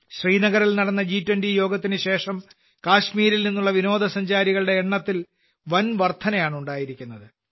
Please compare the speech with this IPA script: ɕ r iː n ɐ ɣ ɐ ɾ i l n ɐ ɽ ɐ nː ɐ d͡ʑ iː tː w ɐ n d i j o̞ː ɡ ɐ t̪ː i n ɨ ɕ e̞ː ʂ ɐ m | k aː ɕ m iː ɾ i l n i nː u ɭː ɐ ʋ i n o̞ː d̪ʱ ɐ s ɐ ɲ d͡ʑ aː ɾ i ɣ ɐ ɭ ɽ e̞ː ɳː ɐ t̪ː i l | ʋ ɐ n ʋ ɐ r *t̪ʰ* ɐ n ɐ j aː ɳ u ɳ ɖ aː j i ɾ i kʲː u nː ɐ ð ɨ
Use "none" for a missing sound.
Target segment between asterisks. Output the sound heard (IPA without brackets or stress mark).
t̪ʰ